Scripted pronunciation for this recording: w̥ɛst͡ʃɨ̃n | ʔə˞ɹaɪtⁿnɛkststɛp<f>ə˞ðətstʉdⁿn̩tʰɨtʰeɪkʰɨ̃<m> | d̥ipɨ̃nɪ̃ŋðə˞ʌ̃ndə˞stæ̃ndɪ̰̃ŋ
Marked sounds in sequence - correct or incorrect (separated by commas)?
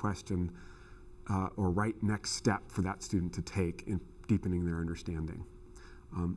correct, incorrect